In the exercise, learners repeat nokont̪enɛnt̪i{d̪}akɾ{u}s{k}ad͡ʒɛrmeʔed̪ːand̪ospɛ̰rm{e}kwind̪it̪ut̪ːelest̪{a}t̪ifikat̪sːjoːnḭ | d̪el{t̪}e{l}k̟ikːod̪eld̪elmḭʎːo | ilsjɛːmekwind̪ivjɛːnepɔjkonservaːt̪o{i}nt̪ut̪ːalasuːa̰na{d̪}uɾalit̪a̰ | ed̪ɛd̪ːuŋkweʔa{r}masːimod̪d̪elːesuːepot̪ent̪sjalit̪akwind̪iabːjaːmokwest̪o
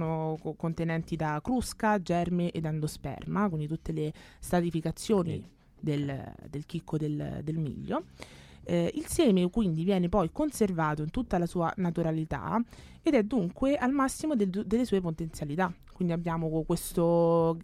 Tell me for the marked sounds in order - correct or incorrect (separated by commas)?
correct, correct, correct, incorrect, correct, incorrect, correct, correct, incorrect, incorrect